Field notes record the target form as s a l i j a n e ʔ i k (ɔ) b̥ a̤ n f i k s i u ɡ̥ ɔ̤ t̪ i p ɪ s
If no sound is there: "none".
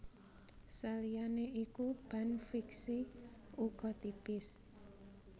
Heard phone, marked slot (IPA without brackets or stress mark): u